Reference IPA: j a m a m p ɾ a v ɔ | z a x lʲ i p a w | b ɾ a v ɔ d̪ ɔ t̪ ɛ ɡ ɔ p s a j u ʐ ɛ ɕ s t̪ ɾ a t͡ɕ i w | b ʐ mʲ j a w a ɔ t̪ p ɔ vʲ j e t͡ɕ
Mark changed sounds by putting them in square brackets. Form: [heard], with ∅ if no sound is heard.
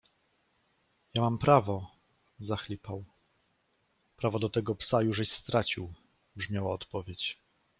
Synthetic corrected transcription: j a m a m p ɾ a v ɔ | z a x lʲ i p a w | [p] ɾ a v ɔ d̪ ɔ t̪ ɛ ɡ ɔ p s a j u ʐ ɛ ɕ s t̪ ɾ a t͡ɕ i w | b ʐ mʲ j a w a ɔ t̪ p ɔ vʲ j e t͡ɕ